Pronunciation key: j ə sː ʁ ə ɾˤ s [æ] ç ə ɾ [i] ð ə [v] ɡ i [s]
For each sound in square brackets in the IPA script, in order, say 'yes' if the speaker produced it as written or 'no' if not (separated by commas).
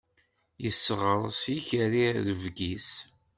no, yes, yes, yes